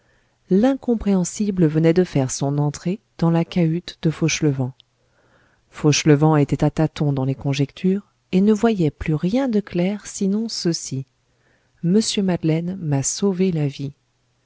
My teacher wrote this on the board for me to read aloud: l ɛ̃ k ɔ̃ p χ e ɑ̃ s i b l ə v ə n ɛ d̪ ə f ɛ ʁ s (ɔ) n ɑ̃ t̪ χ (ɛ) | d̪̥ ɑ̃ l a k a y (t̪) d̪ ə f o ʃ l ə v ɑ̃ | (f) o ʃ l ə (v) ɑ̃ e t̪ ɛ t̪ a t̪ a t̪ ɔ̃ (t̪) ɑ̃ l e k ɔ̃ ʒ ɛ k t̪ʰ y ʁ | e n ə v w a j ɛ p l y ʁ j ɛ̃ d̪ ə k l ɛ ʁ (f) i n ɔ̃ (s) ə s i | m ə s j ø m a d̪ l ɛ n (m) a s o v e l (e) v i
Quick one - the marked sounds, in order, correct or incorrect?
incorrect, incorrect, correct, correct, correct, incorrect, incorrect, correct, correct, incorrect

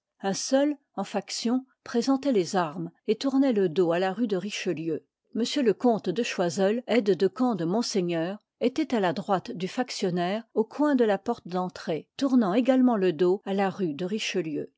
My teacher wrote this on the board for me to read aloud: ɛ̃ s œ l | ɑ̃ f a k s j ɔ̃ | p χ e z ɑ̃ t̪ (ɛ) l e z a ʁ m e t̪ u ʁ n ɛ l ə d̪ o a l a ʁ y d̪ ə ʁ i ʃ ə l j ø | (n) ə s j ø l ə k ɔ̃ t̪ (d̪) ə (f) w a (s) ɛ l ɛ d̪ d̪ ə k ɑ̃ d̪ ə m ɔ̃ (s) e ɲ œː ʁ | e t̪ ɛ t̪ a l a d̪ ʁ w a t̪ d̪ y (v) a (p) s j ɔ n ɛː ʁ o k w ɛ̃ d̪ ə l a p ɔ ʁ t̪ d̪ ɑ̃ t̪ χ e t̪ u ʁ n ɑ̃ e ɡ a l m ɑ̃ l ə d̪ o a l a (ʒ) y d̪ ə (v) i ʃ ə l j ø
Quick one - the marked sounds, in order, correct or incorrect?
correct, incorrect, correct, incorrect, incorrect, correct, incorrect, incorrect, incorrect, incorrect

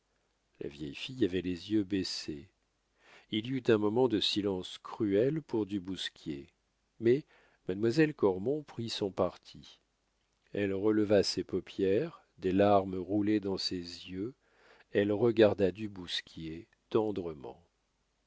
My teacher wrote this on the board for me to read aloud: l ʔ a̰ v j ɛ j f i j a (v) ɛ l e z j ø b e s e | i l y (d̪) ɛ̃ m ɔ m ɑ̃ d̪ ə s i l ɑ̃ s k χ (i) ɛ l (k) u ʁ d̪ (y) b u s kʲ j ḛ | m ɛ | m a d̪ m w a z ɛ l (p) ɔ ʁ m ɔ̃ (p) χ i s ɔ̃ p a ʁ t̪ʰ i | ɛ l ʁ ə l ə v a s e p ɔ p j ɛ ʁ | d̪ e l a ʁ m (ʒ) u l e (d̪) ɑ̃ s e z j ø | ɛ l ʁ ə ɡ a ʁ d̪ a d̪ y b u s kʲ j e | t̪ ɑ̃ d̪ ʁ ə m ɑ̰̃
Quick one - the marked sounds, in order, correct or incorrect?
correct, incorrect, incorrect, incorrect, correct, incorrect, correct, incorrect, correct

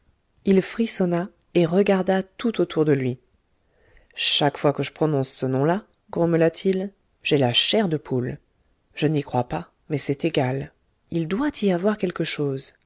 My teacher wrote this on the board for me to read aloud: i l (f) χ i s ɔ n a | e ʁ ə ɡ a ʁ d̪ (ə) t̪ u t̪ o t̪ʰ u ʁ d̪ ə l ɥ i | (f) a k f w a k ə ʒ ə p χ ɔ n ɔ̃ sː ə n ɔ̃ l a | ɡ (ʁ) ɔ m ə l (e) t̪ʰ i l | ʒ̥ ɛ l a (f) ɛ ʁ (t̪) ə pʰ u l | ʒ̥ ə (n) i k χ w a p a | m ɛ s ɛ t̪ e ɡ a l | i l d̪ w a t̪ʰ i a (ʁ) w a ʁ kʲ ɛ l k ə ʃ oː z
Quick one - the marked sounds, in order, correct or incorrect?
correct, incorrect, incorrect, correct, incorrect, incorrect, incorrect, correct, incorrect

